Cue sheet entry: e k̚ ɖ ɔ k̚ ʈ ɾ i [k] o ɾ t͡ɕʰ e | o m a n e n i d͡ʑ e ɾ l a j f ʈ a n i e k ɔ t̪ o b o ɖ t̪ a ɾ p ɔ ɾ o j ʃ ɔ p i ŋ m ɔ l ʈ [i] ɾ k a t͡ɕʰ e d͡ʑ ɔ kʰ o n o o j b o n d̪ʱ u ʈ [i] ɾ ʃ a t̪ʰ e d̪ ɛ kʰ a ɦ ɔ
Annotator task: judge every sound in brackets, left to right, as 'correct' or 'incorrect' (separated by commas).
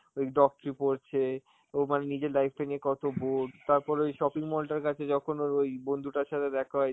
incorrect, incorrect, incorrect